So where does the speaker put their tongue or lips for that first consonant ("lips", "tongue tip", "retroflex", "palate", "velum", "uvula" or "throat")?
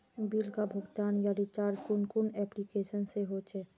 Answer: lips